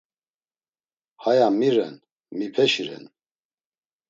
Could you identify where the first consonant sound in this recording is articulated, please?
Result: glottal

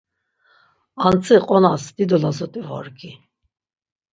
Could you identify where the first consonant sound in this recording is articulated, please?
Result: alveolar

